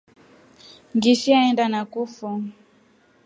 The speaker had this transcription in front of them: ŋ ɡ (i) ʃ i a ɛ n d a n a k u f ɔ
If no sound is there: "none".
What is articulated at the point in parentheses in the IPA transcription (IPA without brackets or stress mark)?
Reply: i